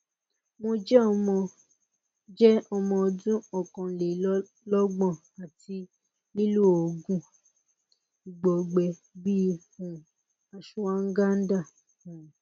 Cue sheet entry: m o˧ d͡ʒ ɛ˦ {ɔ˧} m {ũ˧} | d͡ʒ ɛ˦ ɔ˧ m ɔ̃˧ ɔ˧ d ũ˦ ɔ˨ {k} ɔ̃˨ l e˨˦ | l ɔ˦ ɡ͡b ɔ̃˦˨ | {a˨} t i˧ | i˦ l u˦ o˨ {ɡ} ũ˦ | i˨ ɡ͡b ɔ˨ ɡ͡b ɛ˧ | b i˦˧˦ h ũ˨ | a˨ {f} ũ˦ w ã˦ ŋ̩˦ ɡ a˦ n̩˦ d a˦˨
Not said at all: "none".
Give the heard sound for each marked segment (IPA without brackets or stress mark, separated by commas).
ɔ˧, ɔ̃˧, k, a˨, ɡ, ʃ